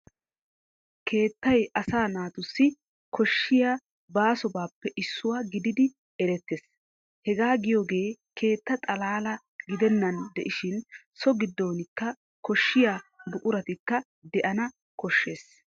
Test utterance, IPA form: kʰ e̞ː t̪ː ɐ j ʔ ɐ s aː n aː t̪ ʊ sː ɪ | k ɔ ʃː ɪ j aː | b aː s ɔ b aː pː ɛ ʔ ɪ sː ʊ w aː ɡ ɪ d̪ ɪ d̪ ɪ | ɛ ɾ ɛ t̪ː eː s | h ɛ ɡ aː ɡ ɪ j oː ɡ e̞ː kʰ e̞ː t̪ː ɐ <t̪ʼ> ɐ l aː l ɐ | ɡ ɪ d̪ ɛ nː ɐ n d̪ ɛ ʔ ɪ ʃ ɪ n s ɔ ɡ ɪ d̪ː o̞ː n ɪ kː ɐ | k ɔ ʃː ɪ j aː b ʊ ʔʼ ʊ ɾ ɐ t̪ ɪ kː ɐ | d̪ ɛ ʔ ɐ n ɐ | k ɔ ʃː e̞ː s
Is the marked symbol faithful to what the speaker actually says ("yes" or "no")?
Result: yes